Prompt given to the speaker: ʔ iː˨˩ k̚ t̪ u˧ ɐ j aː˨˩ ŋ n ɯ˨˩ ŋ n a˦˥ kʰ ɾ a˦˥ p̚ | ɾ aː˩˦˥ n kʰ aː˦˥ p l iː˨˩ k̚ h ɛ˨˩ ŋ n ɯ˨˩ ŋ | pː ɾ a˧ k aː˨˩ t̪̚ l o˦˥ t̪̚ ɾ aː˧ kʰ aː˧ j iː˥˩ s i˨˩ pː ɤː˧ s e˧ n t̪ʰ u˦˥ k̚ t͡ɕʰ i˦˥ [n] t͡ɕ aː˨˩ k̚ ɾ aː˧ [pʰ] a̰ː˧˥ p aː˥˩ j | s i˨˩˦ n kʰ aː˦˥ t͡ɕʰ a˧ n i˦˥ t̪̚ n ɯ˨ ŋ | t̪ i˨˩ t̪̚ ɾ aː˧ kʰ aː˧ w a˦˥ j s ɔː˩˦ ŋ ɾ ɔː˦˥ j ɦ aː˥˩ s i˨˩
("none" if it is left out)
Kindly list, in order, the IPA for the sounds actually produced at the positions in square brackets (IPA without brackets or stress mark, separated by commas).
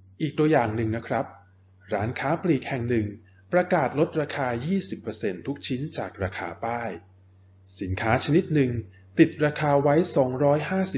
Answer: n, kʰ